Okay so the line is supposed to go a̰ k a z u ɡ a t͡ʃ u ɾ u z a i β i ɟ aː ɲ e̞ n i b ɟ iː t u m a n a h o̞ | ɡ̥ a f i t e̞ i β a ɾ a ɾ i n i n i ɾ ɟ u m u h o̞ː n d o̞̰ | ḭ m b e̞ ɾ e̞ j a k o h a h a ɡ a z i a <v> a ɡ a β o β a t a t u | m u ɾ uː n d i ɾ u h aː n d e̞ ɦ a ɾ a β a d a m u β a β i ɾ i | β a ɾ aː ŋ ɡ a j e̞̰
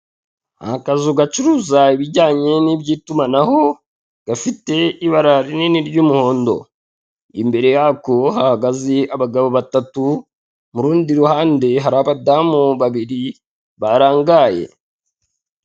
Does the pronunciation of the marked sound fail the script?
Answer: yes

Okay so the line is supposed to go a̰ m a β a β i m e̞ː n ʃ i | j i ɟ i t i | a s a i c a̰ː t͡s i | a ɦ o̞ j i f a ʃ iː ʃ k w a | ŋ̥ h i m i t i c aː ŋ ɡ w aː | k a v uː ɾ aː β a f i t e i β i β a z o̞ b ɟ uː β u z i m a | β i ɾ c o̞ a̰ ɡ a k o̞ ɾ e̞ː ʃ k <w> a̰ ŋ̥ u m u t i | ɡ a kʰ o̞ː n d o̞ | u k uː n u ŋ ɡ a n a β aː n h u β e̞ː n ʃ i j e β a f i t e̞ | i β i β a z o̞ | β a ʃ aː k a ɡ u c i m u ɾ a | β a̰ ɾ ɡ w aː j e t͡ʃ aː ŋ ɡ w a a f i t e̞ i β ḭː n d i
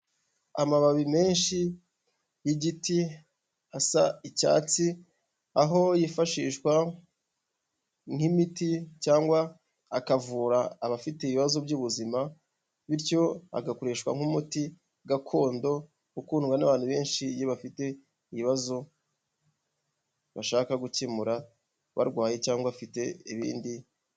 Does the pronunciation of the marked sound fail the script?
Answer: no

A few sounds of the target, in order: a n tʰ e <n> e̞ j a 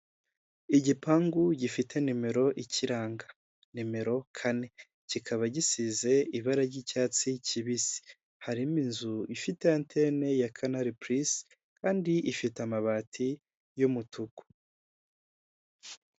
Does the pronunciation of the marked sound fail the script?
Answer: no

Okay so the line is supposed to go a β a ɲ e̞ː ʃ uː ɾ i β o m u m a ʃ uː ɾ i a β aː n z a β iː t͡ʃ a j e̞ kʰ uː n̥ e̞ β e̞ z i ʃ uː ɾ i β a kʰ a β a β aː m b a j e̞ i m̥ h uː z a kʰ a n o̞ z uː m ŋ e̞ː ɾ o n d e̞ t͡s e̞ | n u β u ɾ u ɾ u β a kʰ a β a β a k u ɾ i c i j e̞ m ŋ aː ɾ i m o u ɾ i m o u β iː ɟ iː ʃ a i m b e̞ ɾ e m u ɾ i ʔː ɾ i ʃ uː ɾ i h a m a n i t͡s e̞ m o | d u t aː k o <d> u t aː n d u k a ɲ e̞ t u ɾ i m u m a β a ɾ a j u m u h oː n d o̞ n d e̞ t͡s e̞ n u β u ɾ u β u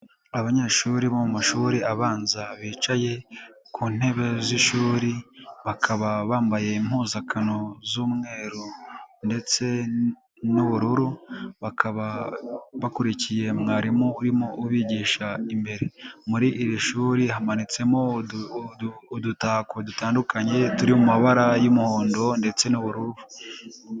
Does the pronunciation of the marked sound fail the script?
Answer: no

